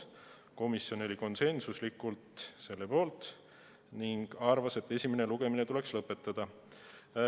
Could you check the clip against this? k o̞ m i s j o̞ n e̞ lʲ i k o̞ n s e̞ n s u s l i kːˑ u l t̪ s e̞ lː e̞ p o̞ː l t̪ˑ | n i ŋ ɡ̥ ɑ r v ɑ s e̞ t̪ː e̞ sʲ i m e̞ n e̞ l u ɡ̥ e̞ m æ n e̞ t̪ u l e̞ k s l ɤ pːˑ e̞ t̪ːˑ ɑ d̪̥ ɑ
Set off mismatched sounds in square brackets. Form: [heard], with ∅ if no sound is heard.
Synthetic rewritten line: k o̞ m i s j o̞ n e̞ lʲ i k o̞ n s e̞ n s u s l i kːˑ u l t̪ s e̞ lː e̞ p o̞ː l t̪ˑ | n i ŋ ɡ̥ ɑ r v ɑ s e̞ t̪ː e̞ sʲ i m e̞ n e̞ l u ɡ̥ e̞ m [i] n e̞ t̪ u l e̞ k s l ɤ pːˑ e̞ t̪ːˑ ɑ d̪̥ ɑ